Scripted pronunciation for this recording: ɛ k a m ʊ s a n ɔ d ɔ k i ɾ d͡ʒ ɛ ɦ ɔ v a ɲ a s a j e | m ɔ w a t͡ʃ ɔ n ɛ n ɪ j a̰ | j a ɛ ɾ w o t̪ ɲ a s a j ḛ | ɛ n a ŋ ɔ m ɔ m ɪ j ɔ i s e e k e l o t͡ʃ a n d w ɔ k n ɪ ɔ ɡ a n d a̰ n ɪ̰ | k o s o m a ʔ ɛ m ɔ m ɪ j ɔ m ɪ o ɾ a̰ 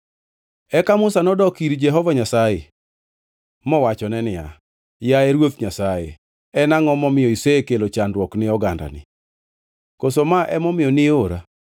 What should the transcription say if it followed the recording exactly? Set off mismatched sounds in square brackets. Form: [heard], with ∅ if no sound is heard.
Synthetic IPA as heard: ɛ k a m ʊ s a n ɔ d ɔ k i ɾ d͡ʒ ɛ ɦ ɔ v a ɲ a s a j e | m ɔ w a t͡ʃ ɔ n ɛ n ɪ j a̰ | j a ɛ ɾ w o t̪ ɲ a s a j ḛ | ɛ n a ŋ ɔ m ɔ m ɪ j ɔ i s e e k e l o t͡ʃ a n d w ɔ k n ɪ ɔ ɡ a n d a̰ n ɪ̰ | k o s o m a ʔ ɛ m ɔ m ɪ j ɔ [n] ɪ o ɾ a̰